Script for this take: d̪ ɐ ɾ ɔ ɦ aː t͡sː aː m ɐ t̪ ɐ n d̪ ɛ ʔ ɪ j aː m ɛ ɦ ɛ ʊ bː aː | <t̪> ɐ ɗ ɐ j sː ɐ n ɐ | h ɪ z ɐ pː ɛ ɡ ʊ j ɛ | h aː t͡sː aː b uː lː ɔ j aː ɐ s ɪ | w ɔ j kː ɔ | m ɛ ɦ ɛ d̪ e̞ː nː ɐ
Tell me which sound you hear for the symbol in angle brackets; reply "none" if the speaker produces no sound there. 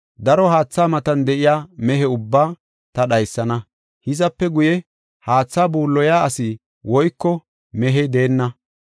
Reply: t̪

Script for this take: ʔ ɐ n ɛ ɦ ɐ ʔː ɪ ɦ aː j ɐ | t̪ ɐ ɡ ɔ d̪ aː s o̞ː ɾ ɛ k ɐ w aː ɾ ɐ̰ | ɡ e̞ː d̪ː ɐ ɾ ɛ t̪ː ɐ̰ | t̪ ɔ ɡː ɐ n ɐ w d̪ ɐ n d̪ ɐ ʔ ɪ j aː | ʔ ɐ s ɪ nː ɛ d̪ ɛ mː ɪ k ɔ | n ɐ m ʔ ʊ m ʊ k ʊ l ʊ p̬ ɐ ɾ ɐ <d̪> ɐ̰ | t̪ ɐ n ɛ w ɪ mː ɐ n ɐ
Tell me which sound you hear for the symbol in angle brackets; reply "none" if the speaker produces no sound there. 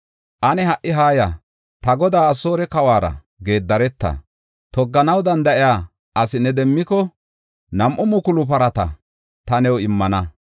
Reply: t̪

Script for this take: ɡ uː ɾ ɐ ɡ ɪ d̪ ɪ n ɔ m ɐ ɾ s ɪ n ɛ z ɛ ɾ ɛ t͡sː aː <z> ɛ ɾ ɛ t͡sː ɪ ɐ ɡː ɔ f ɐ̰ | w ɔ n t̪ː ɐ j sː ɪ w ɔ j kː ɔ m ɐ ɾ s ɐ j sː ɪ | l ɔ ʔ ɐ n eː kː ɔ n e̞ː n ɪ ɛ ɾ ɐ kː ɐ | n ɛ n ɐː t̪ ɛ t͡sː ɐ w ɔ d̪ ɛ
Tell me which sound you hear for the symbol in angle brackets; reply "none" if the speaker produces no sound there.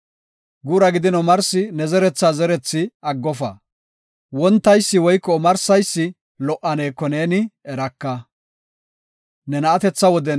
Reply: z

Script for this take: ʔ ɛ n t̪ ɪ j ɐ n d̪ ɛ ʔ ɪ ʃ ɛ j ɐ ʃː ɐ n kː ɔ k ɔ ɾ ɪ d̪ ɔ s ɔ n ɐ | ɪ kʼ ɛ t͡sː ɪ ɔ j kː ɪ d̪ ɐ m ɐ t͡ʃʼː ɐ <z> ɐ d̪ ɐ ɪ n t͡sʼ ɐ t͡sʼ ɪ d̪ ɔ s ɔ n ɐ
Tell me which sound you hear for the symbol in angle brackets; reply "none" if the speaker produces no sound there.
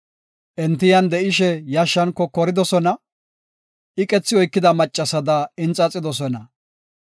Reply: s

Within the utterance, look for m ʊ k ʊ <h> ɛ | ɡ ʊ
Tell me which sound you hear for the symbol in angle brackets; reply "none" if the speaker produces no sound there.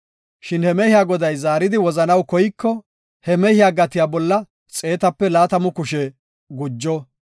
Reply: ʃ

